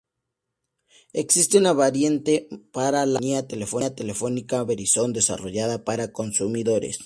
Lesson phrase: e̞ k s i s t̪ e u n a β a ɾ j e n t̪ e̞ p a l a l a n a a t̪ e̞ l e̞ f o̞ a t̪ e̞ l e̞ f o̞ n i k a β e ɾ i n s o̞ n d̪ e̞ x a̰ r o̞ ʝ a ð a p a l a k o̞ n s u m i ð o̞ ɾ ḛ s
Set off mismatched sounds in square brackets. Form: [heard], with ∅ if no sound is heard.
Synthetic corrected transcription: e̞ k s i s t̪ e u n a β a ɾ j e n t̪ e̞ p a [ɾ] a l a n [i] a t̪ e̞ l e̞ f o̞ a t̪ e̞ l e̞ f o̞ n i k a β e ɾ i [∅] s o̞ n d̪ e̞ [s] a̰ r o̞ ʝ a ð a p a [ɾ] a k o̞ n s u m i ð o̞ ɾ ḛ s